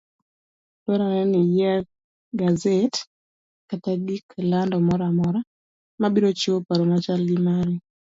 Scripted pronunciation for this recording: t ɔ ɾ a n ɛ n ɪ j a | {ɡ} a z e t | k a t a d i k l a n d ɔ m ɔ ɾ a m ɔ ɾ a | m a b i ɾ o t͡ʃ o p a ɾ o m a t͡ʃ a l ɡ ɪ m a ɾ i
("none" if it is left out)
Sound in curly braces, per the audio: ɡ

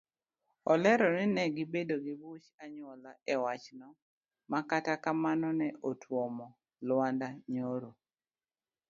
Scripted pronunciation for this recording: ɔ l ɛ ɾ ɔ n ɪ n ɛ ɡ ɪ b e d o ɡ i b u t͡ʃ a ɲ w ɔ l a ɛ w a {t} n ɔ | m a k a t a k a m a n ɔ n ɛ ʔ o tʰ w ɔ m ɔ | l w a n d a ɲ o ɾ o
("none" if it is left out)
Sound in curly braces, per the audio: t͡ʃ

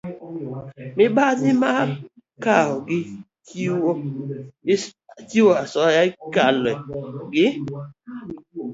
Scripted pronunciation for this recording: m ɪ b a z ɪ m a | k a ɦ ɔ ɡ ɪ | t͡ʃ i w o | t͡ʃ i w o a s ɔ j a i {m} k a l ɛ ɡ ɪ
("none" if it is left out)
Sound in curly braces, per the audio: none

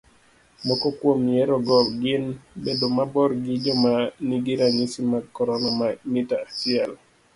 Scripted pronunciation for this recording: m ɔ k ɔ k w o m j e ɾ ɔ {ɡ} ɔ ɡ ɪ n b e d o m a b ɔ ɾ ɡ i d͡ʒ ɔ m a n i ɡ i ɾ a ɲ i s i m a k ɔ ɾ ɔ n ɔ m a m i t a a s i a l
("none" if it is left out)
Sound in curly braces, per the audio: ɡ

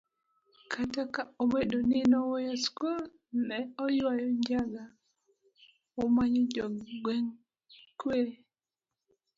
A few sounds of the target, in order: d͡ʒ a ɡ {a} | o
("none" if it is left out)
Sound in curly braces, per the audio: a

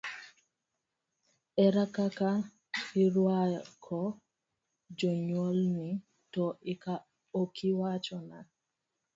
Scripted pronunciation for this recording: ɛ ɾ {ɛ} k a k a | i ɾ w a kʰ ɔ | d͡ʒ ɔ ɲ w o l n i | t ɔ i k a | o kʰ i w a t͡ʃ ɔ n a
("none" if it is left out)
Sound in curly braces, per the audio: a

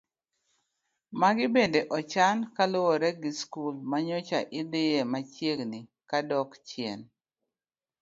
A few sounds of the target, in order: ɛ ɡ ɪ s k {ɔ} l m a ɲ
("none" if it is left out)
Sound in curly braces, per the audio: u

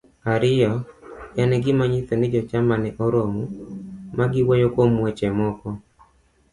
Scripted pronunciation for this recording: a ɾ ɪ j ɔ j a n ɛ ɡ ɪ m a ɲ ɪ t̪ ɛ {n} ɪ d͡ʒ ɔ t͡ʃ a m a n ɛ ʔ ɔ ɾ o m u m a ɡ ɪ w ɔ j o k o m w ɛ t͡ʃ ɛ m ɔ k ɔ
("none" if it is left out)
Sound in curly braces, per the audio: n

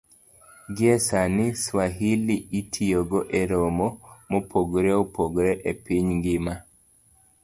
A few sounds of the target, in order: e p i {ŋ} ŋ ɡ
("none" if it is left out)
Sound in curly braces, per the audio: ɲ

